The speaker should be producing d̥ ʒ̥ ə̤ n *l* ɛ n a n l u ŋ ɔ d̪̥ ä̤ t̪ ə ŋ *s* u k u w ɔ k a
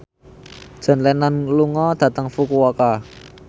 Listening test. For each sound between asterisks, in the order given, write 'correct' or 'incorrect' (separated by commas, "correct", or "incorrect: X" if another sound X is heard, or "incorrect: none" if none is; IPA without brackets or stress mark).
correct, incorrect: f